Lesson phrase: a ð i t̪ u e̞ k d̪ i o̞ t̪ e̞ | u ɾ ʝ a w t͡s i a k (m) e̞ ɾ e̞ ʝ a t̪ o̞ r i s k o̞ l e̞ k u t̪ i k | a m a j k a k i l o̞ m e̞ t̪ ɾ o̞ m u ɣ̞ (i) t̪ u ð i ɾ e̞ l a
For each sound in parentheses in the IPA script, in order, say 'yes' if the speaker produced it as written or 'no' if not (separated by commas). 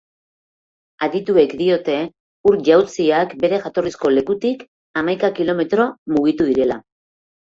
no, yes